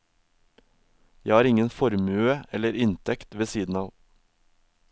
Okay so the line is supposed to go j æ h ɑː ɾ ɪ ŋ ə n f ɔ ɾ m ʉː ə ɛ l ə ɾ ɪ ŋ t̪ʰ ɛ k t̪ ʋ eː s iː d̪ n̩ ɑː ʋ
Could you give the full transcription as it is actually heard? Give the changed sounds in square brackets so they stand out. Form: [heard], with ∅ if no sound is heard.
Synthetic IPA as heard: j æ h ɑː ɾ ɪ ŋ ə n f ɔ ɾ m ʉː ə ɛ l ə ɾ ɪ [n] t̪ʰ ɛ k t̪ ʋ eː s iː d̪ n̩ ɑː ʋ

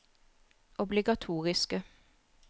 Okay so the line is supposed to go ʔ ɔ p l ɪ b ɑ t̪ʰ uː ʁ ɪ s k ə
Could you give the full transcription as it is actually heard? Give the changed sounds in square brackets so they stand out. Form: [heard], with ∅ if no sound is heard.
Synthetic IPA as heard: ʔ ɔ [b] l ɪ [ɡ] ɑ t̪ʰ uː ʁ ɪ s k ə

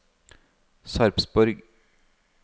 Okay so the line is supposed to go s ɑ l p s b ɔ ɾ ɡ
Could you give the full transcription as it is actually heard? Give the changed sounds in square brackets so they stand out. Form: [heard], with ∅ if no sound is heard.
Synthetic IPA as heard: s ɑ [ɾ] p s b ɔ ɾ ɡ

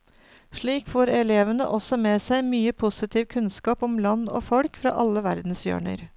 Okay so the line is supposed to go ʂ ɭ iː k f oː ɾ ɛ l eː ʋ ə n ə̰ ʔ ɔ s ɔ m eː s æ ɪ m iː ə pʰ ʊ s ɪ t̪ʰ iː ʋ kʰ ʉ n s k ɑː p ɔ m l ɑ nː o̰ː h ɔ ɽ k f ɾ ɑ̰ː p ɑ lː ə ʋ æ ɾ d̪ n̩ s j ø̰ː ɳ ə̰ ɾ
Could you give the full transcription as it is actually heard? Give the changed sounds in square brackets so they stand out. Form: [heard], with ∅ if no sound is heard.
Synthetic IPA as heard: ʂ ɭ iː k f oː ɾ ɛ l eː ʋ ə n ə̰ ʔ ɔ s ɔ m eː s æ ɪ m [yː] ə pʰ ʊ s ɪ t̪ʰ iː ʋ kʰ ʉ n s k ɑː p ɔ m l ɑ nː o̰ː [f] ɔ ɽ k f ɾ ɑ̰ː [ʔ] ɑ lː ə ʋ æ ɾ d̪ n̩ s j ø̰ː ɳ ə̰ ɾ

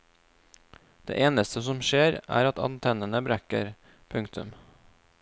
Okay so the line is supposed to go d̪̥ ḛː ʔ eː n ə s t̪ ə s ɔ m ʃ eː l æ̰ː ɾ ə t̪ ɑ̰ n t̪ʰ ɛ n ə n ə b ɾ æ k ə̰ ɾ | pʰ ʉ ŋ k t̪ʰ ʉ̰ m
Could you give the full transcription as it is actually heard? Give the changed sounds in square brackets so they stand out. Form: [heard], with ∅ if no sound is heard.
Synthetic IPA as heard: d̪̥ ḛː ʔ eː n ə s t̪ ə s ɔ m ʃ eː [ɾ] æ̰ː ɾ [ɑ] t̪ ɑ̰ n t̪ʰ ɛ n ə n ə b ɾ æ k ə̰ ɾ | pʰ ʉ ŋ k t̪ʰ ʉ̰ m

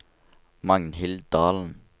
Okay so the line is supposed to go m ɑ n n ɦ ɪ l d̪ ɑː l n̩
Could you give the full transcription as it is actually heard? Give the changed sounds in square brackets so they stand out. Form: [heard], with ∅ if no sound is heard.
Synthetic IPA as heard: m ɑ [ŋ] n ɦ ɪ l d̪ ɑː l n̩

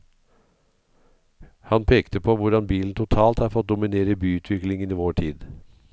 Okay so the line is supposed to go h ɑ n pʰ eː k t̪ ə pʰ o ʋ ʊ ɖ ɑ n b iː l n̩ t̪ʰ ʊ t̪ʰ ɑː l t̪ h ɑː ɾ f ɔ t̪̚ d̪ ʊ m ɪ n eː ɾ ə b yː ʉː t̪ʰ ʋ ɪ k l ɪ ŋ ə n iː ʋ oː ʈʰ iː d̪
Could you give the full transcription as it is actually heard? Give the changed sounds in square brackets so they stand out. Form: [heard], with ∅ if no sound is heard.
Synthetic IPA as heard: h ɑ n pʰ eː k t̪ ə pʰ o ʋ ʊ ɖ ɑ n b iː l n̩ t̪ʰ ʊ t̪ʰ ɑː l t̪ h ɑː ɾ f ɔ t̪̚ d̪ ʊ m ɪ n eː ɾ ə b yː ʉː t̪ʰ ʋ ɪ k l ɪ ŋ ə n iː ʋ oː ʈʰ iː d̪

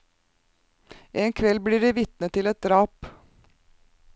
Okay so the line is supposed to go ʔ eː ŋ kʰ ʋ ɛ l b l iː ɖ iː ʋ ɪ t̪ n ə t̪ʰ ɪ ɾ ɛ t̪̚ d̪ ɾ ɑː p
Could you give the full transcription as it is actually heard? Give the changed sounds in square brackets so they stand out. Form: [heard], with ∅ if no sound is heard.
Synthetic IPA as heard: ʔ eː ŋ kʰ ʋ ɛ l b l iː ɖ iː ʋ ɪ t̪ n ə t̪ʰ ɪ [l] ɛ t̪̚ d̪ ɾ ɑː p

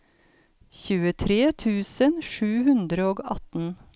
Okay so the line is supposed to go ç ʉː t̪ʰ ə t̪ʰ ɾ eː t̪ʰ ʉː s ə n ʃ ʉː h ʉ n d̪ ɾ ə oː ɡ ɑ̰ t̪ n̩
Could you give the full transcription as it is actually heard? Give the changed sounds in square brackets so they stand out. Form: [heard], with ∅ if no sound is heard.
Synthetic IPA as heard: ç ʉː [∅] ə t̪ʰ ɾ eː t̪ʰ ʉː s ə n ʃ ʉː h ʉ n d̪ ɾ ə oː ɡ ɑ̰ t̪ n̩

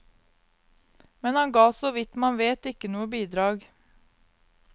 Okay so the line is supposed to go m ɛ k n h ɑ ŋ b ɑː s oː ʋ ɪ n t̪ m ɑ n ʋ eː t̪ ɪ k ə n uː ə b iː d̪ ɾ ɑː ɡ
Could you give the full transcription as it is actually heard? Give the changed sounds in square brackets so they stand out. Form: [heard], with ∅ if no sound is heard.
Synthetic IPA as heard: m ɛ [∅] n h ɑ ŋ [ɡ] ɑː s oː ʋ ɪ [∅] t̪ m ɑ n ʋ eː t̪ ɪ k ə n uː ə b iː d̪ ɾ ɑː ɡ

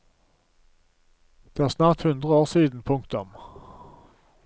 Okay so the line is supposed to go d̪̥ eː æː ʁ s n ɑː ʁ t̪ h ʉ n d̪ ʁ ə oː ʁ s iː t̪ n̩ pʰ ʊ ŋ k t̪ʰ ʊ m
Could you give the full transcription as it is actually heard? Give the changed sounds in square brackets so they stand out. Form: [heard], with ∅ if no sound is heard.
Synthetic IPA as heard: d̪̥ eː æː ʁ s n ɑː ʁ t̪ h ʉ n d̪ ʁ ə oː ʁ s iː [d̪] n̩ pʰ ʊ ŋ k [t̪] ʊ m

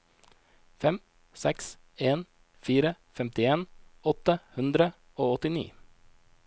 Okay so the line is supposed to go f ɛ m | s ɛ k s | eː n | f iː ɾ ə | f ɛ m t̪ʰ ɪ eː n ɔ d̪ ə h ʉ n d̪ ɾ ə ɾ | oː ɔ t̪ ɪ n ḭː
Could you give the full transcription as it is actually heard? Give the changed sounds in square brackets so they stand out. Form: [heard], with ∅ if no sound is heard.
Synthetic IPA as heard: f ɛ m | s ɛ k s | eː n | f iː ɾ ə | f ɛ m [t̪] ɪ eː n ɔ [t̪] ə h ʉ n d̪ ɾ ə [∅] | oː ɔ t̪ ɪ n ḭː

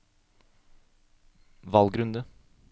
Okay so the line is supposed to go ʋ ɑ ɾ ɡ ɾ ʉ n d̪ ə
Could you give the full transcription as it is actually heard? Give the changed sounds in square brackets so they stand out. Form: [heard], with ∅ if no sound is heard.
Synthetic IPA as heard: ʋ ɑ [l] ɡ ɾ ʉ n d̪ ə

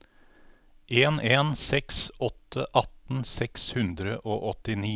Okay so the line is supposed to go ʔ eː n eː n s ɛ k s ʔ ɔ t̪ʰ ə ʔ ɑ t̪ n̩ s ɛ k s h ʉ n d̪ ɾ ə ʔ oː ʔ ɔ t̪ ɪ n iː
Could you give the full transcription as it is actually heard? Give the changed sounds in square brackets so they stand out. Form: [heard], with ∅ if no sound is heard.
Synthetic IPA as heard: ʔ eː n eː n s ɛ k s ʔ ɔ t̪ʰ ə ʔ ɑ t̪ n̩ s ɛ k s h ʉ n d̪ ɾ ə ʔ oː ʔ ɔ t̪ ɪ n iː

